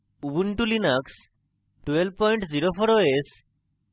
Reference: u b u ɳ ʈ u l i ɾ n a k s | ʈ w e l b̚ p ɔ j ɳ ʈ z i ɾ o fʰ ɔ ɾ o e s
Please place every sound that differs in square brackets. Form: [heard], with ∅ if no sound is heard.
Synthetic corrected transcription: u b u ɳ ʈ u l i [∅] n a k s | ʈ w e l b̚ p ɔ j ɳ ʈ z i ɾ o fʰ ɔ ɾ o e s